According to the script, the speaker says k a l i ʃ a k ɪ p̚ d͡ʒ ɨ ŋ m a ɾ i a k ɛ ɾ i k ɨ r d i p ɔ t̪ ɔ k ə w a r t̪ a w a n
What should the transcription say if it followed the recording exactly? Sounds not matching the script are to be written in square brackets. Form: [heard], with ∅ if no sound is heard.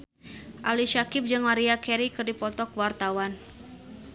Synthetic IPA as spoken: [ʔ] a l i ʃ a k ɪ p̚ d͡ʒ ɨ ŋ m a ɾ i a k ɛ ɾ i k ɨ r d i p ɔ t̪ ɔ k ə w a r t̪ a w a n